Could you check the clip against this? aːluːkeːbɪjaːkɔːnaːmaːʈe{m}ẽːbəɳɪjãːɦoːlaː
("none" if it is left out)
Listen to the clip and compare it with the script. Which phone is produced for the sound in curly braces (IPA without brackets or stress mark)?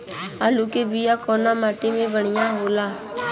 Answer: m